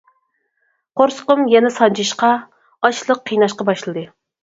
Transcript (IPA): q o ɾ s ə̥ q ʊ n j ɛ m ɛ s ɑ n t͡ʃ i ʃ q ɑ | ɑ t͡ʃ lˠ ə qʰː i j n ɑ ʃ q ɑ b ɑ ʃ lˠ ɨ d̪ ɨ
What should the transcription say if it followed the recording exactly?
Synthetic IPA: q o ɾ s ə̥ q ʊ m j ɛ n ɛ s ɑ n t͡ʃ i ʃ q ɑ | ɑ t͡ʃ lˠ ə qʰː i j n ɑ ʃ q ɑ b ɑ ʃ lˠ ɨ d̪ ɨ